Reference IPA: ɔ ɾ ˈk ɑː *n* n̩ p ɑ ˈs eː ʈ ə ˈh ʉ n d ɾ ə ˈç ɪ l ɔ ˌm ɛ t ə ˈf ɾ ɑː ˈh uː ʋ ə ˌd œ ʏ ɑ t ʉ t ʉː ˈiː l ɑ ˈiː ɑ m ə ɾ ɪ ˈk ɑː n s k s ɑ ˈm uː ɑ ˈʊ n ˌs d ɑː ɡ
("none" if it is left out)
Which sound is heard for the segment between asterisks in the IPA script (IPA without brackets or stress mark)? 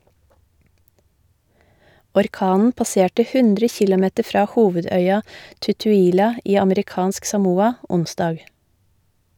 n